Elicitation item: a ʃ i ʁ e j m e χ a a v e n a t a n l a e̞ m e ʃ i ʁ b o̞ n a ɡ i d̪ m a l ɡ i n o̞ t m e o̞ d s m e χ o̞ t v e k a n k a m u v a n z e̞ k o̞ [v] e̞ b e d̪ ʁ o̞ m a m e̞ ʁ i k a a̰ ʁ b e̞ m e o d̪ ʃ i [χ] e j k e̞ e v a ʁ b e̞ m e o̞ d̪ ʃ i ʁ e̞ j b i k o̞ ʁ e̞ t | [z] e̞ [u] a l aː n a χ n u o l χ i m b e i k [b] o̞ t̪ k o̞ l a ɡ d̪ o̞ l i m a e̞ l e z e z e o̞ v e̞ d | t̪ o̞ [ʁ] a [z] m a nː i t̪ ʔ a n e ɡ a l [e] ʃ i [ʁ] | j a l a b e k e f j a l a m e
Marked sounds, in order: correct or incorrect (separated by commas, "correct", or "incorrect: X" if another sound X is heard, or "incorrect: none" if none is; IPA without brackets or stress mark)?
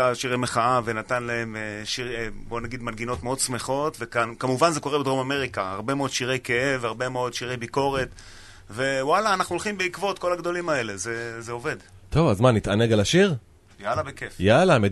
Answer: incorrect: ʁ, incorrect: ʁ, incorrect: v, incorrect: w, incorrect: v, incorrect: v, correct, incorrect: a, correct